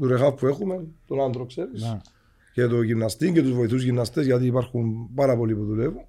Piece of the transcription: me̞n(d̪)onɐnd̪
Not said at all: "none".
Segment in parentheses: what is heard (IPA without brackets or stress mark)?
t̪